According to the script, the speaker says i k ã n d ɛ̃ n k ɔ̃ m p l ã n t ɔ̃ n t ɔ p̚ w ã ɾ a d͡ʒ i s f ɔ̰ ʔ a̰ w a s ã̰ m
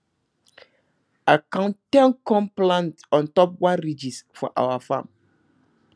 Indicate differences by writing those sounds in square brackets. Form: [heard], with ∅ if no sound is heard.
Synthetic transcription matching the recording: [a] k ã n [t] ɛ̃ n k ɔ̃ m p l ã n t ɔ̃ n t ɔ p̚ w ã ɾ [i] d͡ʒ i s f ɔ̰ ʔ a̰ w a [f] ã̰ m